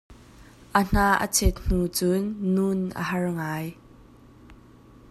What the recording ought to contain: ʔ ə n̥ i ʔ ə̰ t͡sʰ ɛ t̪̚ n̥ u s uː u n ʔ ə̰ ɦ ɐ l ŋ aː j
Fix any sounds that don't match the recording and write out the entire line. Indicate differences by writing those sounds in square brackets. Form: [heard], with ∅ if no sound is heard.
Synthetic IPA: ʔ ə n̥ [a] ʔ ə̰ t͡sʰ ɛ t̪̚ n̥ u [t͡s] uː u n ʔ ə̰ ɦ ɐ [r] ŋ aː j